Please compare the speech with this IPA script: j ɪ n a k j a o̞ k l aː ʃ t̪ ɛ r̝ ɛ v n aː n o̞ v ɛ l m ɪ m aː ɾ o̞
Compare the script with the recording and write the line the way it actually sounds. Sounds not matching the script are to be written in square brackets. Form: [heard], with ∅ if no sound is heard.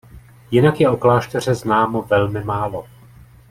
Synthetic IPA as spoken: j ɪ n a k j [ɛ] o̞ k l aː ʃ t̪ ɛ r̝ ɛ [z] n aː [m] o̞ v ɛ l m ɪ m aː [l] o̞

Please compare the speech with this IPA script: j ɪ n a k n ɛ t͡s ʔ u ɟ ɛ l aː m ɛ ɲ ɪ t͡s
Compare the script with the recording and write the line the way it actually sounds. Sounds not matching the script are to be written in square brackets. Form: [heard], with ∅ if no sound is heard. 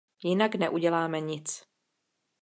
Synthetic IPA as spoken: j ɪ n a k n ɛ [∅] ʔ u ɟ ɛ l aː m ɛ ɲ ɪ t͡s

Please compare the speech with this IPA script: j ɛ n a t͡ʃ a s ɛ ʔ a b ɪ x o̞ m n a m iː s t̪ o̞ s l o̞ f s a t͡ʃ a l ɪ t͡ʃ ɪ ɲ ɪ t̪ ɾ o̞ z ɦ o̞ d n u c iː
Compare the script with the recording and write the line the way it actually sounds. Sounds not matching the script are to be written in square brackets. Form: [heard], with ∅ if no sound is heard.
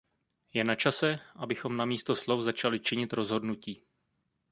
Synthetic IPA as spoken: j ɛ n a t͡ʃ a s ɛ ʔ a b ɪ x o̞ m n a m iː s t̪ o̞ s l o̞ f [z] a t͡ʃ a l ɪ t͡ʃ ɪ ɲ ɪ t̪ ɾ o̞ z ɦ o̞ d n u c iː

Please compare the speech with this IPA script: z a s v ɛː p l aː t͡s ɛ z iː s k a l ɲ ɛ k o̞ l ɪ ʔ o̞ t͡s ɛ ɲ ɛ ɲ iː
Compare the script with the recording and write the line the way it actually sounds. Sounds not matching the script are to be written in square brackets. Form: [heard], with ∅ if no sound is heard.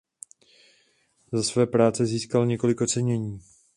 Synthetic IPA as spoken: z a s v ɛː p [ɾ] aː t͡s ɛ z iː s k a l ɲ ɛ k o̞ l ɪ [k] o̞ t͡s ɛ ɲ ɛ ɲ iː

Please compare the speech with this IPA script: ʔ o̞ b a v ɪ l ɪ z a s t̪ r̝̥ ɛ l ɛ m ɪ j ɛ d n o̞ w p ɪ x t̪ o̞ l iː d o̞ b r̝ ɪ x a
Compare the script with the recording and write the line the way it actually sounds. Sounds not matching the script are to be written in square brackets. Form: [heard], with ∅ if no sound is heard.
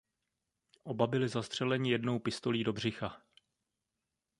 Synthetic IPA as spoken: ʔ o̞ b a [b] ɪ l ɪ z a s t̪ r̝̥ ɛ l ɛ [ɲ] ɪ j ɛ d n o̞ w p ɪ [s] t̪ o̞ l iː d o̞ b r̝ ɪ x a

